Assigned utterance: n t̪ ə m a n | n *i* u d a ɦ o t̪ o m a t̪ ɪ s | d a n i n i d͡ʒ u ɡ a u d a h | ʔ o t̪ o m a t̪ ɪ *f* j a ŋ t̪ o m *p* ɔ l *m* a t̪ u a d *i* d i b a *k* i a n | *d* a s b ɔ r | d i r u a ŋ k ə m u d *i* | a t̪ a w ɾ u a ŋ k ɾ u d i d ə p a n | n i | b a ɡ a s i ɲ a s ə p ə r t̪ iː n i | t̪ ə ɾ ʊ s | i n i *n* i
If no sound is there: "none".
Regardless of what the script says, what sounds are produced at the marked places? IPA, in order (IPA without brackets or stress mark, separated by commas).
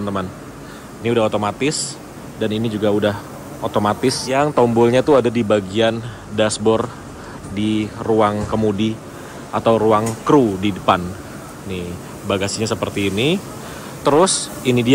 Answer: i, s, b, ɲ, a, ɡ, d, i, d